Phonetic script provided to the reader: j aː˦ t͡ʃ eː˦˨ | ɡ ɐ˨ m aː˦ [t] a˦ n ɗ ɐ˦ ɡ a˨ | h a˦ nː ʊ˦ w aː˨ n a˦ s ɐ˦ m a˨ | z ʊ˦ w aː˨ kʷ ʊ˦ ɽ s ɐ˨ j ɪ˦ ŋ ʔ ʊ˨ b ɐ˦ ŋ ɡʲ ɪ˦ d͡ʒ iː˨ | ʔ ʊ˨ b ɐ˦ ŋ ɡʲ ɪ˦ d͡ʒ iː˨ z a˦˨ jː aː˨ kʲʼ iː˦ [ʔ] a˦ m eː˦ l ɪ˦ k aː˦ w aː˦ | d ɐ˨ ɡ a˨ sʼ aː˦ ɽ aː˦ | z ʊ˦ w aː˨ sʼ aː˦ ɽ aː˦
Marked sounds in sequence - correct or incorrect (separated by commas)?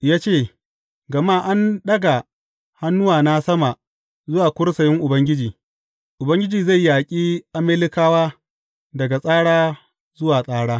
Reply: incorrect, correct